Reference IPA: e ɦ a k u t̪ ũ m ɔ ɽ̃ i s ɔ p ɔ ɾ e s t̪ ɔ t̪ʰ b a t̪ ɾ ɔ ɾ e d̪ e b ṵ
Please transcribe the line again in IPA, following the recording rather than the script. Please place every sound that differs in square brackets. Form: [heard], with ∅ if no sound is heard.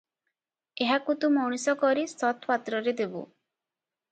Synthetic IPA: e ɦ a k u t̪ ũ m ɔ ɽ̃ i s ɔ [k] ɔ ɾ [i] s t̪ ɔ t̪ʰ [p] a t̪ ɾ ɔ ɾ e d̪ e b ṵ